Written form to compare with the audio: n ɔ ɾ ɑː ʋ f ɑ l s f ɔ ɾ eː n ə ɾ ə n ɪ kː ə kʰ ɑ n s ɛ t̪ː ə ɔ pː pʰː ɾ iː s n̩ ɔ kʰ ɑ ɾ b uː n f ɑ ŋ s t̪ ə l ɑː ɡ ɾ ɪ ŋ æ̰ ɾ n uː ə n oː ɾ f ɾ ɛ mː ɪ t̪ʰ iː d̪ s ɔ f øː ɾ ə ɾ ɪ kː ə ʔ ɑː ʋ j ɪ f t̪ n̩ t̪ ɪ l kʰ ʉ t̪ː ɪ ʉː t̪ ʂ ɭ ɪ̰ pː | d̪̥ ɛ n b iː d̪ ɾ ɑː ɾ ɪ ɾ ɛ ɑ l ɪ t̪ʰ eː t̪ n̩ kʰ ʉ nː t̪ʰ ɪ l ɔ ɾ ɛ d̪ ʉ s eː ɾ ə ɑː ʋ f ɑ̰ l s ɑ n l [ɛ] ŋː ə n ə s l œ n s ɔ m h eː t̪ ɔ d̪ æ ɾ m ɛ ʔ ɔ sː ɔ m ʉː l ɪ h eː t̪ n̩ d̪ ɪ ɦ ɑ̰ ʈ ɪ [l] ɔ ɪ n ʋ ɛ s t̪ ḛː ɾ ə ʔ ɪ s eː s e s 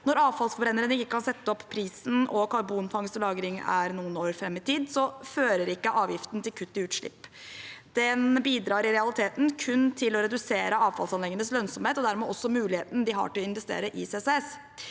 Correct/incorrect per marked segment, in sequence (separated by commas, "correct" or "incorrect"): correct, correct